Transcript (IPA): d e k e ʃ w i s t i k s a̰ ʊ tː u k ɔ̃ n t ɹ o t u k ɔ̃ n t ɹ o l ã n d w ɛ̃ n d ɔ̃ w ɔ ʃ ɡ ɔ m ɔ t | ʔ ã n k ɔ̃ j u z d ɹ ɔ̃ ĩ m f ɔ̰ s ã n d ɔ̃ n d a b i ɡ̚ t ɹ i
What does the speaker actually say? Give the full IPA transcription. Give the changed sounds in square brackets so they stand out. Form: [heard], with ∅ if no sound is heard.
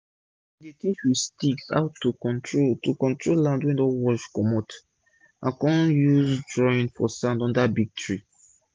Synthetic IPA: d e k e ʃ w i s t i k s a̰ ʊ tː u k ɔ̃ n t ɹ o t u k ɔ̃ n t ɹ o l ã n d w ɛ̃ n d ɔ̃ w ɔ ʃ [k] ɔ m ɔ t | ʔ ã n k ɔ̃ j u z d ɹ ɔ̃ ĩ [n] f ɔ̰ s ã n d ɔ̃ n d a b i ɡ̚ t ɹ i